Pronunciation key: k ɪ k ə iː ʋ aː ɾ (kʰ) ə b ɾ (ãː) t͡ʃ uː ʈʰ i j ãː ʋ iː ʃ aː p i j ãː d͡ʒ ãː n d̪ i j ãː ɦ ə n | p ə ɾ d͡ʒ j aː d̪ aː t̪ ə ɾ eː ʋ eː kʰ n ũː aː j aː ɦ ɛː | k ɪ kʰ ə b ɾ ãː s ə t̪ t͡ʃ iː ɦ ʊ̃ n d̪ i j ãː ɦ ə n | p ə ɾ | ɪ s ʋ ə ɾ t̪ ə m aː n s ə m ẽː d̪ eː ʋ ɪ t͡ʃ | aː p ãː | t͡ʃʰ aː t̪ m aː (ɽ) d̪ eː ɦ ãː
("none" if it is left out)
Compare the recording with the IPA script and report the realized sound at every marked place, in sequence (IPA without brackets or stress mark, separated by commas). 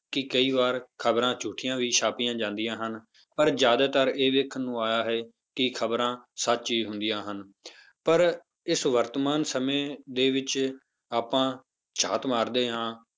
kʰ, ãː, ɾ